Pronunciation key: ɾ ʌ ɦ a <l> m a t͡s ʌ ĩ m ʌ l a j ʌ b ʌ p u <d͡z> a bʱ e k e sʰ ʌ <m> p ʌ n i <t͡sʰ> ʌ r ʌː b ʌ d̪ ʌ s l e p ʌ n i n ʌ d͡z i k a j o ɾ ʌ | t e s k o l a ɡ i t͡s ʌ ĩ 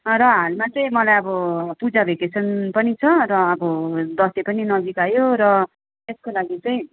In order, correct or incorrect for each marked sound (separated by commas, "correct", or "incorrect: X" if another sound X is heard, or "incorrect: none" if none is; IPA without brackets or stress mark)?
correct, correct, incorrect: n, correct